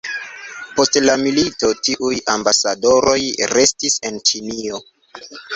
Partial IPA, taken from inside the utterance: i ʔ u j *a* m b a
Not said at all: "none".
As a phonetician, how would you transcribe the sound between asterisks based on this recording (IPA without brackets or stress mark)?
a